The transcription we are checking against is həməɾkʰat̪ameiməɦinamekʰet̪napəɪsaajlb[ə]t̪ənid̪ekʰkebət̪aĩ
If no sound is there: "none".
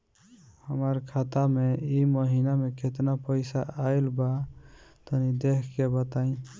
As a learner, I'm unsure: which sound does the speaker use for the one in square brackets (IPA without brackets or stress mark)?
a